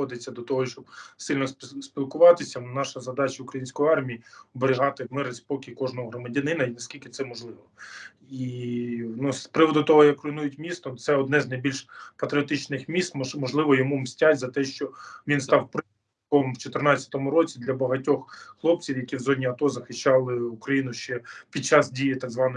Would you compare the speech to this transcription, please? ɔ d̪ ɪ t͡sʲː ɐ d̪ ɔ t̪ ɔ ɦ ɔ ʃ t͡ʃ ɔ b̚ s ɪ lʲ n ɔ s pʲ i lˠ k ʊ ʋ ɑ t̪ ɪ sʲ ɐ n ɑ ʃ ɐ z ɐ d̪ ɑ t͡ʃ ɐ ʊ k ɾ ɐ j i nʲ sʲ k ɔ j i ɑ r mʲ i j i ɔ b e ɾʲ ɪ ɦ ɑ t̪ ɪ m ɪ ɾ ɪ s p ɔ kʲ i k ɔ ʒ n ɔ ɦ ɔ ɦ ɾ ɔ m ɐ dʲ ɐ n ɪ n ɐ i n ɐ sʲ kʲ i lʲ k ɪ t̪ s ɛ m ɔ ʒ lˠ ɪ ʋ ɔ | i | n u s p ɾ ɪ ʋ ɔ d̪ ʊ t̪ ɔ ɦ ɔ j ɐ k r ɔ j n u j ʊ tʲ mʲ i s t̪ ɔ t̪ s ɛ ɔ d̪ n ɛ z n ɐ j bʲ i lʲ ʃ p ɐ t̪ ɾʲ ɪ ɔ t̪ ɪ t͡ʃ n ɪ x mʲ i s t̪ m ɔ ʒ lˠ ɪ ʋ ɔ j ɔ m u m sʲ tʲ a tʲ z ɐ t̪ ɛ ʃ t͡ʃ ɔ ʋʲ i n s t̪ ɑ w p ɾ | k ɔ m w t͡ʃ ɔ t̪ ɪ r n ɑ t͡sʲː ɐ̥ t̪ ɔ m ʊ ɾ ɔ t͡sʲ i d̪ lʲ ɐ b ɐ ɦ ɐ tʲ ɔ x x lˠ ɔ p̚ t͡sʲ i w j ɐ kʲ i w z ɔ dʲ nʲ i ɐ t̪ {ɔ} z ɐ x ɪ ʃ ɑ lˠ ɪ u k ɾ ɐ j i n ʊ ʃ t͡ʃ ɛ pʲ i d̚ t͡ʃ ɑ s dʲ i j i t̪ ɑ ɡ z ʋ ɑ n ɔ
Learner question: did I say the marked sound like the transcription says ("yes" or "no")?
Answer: yes